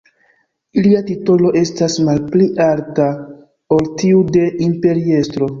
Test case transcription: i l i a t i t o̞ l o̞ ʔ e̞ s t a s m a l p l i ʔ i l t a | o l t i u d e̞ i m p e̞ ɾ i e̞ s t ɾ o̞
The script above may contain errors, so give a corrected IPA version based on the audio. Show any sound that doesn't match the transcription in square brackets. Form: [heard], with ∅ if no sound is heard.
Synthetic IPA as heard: i l i a t i t o̞ l o̞ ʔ e̞ s t a s m a l p l i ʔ [a] l t a | o l t i u d e̞ i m p e̞ ɾ i e̞ s t ɾ o̞

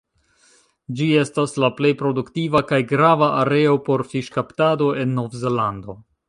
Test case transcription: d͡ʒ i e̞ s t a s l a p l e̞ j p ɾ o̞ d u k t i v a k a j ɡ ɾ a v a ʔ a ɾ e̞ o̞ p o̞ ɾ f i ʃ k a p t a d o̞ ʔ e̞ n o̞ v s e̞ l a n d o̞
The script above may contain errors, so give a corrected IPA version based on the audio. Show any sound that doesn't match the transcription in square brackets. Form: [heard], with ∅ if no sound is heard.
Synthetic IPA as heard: d͡ʒ i e̞ s t a s l a p l e̞ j p ɾ o̞ d u k t i v a k a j ɡ ɾ a v a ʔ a ɾ e̞ o̞ p o̞ ɾ f i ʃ k a p t a d o̞ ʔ e̞ [nː] o̞ v [z] e̞ l a n d o̞

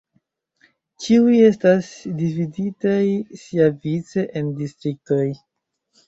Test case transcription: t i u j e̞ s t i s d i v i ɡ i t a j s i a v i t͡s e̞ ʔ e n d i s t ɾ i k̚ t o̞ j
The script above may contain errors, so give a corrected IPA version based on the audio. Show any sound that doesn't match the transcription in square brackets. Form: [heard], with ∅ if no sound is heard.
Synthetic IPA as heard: [t͡ʃ] i u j e̞ s t [a] s d i v i [d] i t a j s i a v i t͡s e̞ ʔ e n d i s t ɾ i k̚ t o̞ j

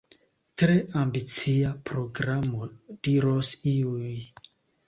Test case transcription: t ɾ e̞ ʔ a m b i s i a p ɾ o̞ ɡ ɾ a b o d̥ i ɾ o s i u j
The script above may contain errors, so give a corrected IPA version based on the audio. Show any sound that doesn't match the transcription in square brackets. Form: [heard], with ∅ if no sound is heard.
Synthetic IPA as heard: t ɾ e̞ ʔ a m b i [t͡s] i a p ɾ o̞ ɡ ɾ a [m] o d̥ i ɾ o s i u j

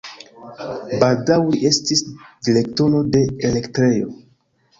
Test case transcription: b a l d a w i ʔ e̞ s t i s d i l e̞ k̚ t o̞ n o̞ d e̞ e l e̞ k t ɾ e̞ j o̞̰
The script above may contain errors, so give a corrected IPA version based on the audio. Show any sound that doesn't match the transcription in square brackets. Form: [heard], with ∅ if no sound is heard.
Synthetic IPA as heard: b a l d a w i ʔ e̞ s t i s d i l e̞ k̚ t o̞ n o̞ d e̞ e l e̞ k t ɾ e̞ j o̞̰

